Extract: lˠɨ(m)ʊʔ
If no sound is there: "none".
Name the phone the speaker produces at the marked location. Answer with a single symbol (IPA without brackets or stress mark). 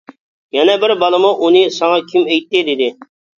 m